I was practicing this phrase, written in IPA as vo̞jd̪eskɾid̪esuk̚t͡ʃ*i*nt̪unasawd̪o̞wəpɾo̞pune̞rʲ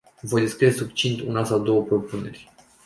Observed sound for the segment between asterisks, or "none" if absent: i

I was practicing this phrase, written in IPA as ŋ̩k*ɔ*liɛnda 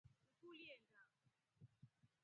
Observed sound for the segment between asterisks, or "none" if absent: u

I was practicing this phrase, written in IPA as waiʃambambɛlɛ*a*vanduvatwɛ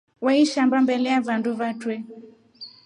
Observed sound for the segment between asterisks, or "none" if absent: a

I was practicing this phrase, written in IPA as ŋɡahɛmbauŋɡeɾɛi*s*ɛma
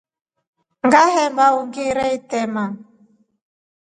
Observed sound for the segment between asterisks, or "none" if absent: t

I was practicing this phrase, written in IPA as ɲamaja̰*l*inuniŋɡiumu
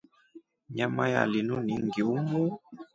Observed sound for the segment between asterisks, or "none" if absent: l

